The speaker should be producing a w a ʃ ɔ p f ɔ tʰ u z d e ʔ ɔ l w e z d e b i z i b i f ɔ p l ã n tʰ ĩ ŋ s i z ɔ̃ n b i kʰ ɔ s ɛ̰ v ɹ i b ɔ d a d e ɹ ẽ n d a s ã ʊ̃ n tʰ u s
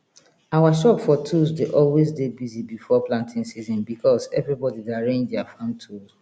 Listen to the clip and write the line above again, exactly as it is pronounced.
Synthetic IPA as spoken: a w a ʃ ɔ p f ɔ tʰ u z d e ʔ ɔ l w e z d e b i z i b i f ɔ p l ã n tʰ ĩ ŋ s i z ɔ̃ n b i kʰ ɔ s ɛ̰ v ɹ i b ɔ d i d a ɹ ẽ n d a f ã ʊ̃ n tʰ u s